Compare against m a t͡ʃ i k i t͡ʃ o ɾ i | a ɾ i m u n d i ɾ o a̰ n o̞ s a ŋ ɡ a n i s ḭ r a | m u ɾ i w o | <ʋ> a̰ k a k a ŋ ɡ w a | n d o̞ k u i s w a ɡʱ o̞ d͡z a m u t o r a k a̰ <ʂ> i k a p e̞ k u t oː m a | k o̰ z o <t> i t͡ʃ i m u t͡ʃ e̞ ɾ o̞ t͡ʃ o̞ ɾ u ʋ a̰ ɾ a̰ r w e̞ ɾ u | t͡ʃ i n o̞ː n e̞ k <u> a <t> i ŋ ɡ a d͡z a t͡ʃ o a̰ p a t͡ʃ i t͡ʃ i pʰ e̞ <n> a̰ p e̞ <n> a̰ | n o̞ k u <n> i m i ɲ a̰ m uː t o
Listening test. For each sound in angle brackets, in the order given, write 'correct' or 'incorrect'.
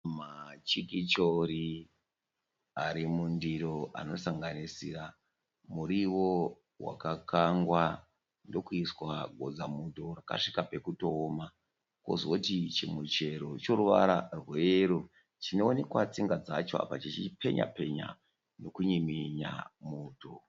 incorrect, correct, correct, incorrect, incorrect, incorrect, incorrect, incorrect

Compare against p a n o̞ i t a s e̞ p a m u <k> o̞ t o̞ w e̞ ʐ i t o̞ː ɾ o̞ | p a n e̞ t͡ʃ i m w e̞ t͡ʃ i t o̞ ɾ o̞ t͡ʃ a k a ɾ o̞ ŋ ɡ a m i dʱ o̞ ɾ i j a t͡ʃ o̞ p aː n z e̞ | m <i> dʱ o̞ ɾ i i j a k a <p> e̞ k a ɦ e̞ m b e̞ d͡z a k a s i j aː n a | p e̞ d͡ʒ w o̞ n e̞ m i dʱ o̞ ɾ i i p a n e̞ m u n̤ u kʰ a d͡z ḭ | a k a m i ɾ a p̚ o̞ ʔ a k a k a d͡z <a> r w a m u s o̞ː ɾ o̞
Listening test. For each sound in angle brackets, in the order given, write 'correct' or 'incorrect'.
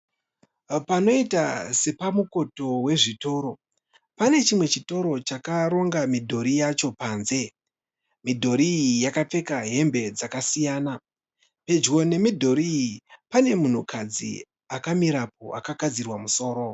correct, correct, incorrect, incorrect

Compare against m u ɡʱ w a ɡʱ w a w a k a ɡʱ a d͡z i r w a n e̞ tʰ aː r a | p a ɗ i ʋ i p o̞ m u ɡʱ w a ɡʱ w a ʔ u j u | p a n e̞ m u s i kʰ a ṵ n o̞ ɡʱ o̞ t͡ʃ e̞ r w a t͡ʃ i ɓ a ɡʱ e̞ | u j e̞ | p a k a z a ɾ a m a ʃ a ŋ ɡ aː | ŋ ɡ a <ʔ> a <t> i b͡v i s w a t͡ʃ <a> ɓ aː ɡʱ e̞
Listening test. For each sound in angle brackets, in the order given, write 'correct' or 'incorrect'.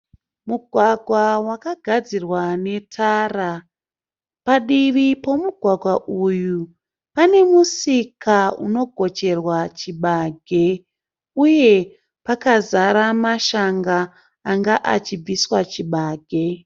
correct, incorrect, incorrect

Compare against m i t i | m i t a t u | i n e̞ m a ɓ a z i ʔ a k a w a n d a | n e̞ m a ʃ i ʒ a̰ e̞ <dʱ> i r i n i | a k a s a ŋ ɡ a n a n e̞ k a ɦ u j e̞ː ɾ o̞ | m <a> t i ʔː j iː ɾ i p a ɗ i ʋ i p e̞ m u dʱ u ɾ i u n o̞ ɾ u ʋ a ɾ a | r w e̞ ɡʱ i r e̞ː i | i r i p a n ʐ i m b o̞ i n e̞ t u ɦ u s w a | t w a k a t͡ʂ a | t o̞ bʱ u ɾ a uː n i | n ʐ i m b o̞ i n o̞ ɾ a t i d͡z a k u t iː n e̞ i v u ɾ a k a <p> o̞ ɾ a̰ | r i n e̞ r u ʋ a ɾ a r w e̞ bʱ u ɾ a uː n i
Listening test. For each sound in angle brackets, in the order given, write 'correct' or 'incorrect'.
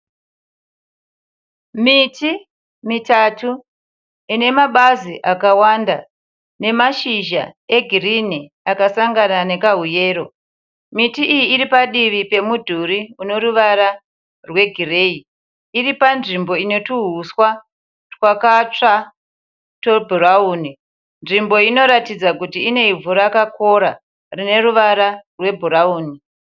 incorrect, incorrect, incorrect

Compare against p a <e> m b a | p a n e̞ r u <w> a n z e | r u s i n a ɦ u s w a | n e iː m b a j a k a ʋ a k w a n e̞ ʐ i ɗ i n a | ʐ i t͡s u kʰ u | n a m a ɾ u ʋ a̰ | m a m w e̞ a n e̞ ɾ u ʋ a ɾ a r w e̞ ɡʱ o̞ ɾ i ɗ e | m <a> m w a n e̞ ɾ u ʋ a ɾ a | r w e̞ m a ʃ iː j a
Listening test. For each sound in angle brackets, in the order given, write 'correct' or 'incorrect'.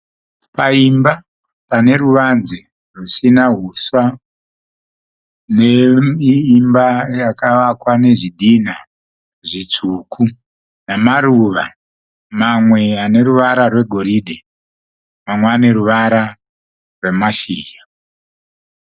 incorrect, incorrect, correct

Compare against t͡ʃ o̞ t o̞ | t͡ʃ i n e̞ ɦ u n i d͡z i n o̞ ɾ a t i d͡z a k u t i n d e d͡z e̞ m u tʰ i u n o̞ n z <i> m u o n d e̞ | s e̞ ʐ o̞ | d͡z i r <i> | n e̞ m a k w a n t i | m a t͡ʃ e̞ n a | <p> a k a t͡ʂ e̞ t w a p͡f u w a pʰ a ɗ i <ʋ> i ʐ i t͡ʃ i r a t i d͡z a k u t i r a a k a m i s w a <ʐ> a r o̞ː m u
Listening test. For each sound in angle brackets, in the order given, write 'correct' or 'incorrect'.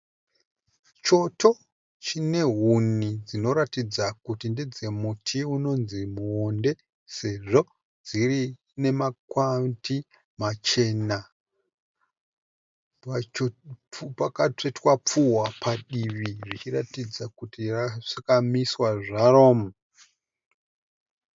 correct, correct, correct, correct, correct

